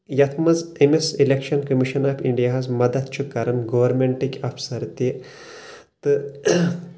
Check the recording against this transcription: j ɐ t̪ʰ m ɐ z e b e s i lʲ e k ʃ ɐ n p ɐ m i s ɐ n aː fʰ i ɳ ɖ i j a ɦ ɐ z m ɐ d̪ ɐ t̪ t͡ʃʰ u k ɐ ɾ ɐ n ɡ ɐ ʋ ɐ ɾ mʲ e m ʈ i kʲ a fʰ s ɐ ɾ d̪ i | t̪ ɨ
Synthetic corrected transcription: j ɐ t̪ʰ m ɐ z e m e s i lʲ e k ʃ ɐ n k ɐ m i ʃ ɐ n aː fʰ i ɳ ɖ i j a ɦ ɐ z m ɐ d̪ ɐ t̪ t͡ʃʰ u k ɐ ɾ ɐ n ɡ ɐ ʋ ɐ ɾ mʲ e ɳ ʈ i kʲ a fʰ s ɐ ɾ t̪ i | t̪ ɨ